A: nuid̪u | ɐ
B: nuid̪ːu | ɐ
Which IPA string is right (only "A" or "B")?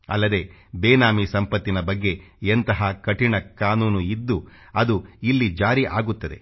B